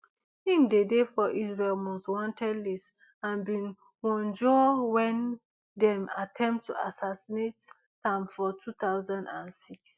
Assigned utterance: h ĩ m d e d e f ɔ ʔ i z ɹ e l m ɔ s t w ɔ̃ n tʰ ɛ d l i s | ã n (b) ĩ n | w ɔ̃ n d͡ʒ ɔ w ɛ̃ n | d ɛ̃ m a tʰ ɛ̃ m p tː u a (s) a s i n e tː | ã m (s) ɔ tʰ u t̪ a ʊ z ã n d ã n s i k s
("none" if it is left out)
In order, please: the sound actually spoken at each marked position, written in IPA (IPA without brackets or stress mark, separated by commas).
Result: b, s, f